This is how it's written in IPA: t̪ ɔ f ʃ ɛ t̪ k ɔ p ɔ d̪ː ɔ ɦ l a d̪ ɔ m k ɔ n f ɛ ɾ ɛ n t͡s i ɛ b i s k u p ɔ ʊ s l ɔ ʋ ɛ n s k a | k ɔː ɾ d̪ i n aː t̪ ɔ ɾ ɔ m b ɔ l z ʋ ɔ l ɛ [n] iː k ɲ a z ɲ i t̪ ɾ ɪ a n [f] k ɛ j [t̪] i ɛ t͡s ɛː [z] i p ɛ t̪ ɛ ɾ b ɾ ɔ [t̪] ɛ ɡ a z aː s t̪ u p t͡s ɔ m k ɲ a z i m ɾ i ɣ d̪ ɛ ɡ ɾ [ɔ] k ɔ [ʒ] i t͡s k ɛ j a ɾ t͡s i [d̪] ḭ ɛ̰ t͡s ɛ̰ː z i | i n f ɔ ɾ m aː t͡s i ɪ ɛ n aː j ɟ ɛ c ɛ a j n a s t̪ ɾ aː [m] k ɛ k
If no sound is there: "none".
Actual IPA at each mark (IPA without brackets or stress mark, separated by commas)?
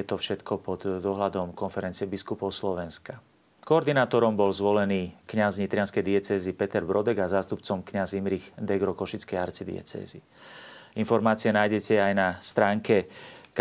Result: n, s, d̪, z, d̪, ɔ, ʃ, d̪, ŋ